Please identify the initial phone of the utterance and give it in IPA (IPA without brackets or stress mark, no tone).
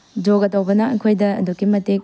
d͡ʒ